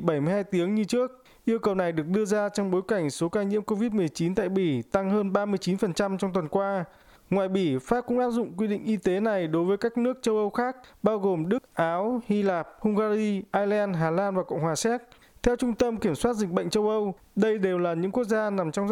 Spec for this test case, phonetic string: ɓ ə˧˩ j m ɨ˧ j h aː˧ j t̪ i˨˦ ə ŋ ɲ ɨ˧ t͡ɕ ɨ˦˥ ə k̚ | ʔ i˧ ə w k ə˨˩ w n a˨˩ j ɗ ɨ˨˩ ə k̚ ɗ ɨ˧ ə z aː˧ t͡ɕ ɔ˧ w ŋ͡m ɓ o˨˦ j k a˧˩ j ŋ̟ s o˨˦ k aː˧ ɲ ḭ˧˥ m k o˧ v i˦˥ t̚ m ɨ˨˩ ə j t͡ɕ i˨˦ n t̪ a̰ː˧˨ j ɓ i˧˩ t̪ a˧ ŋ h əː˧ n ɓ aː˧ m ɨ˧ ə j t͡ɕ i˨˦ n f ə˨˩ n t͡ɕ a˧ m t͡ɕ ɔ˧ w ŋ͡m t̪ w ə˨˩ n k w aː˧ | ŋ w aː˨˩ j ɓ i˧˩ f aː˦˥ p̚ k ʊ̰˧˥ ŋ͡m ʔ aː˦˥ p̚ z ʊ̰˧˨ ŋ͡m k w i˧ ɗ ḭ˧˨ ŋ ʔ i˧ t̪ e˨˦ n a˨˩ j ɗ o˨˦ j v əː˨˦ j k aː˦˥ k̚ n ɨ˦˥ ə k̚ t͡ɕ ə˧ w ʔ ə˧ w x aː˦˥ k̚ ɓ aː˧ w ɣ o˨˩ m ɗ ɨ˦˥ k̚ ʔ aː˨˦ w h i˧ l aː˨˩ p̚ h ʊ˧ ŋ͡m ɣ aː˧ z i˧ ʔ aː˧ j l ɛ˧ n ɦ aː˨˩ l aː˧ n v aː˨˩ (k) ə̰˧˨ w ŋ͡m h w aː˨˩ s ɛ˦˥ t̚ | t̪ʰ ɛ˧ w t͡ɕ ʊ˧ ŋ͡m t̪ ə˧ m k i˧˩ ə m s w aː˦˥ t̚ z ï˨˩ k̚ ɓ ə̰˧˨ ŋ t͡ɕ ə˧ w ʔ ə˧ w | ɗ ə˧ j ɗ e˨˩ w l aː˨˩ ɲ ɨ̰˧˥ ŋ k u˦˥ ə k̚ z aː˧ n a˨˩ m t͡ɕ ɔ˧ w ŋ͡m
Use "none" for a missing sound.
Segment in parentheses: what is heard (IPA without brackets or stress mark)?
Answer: k